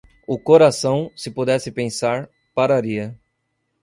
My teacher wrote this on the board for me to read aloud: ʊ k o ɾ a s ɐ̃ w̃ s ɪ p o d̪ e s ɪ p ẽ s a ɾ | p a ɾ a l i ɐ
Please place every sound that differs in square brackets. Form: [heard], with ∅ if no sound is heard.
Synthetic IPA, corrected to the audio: ʊ k o ɾ a s ɐ̃ w̃ s ɪ p o d̪ [ɛ] s ɪ p ẽ s a ɾ | p a ɾ a [ɾ] i ɐ